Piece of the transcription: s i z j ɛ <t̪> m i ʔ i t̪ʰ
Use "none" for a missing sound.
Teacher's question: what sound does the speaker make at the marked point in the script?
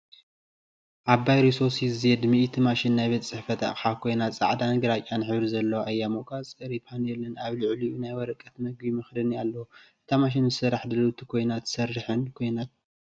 d̪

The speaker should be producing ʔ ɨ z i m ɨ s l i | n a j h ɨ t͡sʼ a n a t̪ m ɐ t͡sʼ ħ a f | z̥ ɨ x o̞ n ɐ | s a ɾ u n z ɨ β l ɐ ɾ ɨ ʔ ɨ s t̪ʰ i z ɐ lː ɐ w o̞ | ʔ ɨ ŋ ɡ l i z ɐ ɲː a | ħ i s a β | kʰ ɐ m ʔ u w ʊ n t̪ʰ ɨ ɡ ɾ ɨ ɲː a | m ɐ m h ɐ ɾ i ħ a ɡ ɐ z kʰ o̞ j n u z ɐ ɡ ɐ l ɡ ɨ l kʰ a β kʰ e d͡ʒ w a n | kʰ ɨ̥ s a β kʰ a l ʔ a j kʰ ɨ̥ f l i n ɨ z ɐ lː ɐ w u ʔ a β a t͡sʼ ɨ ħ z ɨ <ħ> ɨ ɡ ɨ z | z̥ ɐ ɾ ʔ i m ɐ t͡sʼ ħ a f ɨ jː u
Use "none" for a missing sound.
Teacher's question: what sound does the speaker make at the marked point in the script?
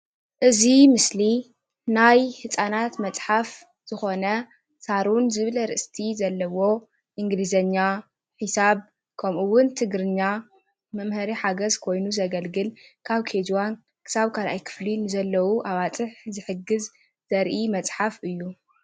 ħ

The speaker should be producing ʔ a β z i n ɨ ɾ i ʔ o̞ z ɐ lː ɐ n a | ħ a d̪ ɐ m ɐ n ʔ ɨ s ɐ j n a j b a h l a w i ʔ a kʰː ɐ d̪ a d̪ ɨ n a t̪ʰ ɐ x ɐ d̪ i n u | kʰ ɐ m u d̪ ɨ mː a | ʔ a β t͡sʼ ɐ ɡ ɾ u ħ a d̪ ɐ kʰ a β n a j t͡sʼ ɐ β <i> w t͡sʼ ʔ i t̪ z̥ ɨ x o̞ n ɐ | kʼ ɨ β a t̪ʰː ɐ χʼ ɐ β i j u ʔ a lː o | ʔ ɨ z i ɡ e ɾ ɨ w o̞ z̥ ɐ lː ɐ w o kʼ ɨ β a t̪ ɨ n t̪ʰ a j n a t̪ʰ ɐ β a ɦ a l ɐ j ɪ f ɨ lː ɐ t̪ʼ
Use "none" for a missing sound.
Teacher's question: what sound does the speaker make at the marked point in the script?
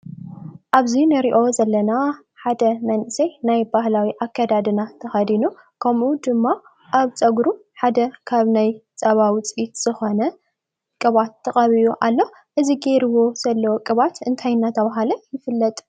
a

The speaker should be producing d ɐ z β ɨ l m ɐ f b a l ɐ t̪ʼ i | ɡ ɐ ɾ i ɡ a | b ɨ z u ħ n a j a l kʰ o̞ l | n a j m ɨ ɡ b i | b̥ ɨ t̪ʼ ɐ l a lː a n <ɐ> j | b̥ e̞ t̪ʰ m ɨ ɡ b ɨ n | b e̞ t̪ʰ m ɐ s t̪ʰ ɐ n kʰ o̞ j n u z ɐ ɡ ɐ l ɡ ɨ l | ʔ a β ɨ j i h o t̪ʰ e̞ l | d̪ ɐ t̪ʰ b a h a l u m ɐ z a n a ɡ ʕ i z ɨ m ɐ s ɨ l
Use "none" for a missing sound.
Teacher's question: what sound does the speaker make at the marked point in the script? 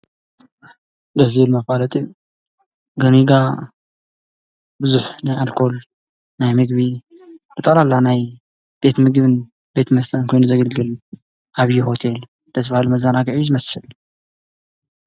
a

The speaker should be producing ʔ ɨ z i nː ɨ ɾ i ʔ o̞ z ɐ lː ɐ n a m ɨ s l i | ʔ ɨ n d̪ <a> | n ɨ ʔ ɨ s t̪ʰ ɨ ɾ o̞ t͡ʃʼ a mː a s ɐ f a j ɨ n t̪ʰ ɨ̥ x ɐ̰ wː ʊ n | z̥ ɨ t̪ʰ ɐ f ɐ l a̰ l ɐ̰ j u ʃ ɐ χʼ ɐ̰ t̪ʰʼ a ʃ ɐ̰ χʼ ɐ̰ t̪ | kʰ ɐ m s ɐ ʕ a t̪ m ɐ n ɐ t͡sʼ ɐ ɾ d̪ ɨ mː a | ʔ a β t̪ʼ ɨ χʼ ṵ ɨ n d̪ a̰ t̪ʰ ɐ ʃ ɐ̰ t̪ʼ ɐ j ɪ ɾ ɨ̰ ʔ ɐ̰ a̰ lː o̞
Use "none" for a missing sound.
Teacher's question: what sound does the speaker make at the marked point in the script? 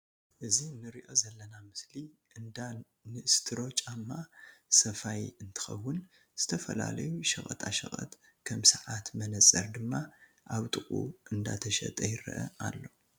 a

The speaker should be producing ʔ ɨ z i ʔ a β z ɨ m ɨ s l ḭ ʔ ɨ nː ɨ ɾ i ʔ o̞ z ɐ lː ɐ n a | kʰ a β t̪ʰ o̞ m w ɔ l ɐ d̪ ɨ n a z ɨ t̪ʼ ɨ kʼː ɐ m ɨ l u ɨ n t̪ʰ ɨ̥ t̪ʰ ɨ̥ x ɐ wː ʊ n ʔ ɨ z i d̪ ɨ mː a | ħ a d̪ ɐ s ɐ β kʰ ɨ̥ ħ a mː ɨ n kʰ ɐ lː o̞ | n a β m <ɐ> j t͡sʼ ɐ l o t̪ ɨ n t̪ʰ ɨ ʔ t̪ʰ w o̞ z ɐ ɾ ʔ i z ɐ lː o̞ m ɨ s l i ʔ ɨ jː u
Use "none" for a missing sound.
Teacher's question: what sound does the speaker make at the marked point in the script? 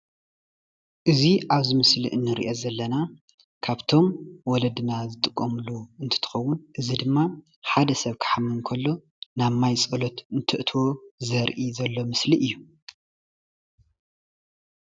a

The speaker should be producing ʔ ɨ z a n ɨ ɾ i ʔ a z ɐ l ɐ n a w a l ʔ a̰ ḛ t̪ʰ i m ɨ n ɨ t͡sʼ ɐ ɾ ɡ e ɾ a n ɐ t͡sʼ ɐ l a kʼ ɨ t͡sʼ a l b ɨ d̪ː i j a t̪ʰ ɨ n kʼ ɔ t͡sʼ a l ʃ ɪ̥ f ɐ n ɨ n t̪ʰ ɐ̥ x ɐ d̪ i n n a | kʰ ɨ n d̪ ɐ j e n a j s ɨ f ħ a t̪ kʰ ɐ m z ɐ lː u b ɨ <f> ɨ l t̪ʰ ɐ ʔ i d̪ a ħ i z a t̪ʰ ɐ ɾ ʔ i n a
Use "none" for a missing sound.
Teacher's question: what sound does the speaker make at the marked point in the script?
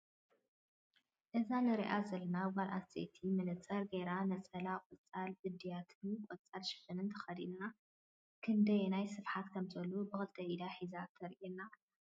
x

